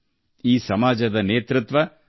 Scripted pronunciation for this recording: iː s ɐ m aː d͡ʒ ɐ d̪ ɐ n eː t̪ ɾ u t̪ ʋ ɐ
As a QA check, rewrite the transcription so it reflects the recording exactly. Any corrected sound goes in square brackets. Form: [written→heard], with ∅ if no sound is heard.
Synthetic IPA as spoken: iː s ɐ m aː d͡ʒ ɐ d̪ ɐ n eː t̪ ɾ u t̪ ʋ ɐ